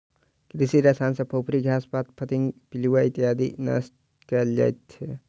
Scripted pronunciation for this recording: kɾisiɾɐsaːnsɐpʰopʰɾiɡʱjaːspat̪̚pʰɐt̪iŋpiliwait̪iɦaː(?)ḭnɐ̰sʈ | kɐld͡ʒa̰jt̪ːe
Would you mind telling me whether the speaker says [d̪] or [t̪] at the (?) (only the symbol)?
d̪